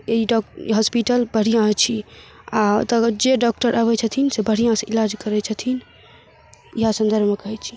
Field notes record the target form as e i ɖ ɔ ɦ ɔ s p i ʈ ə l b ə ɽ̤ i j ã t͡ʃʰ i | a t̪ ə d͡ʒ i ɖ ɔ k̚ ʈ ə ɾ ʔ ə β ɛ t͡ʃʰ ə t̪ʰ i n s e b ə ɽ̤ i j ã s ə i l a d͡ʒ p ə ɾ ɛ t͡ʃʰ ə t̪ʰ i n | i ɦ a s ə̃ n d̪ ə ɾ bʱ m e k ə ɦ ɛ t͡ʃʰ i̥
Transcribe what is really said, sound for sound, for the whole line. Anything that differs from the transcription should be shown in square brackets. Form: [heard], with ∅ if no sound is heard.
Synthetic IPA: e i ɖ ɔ ɦ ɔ s p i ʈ ə l b ə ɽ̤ i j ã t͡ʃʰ i | a t̪ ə d͡ʒ [e] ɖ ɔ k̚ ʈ ə ɾ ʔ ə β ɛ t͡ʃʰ ə t̪ʰ i n s e b ə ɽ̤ i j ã s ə i l a d͡ʒ [k] ə ɾ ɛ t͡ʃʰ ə t̪ʰ i n | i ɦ a s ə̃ n d̪ ə ɾ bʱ m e k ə ɦ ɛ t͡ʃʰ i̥